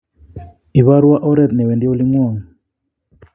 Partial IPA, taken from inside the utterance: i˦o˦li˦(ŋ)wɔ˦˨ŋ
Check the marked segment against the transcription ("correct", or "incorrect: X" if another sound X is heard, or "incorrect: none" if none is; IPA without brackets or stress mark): correct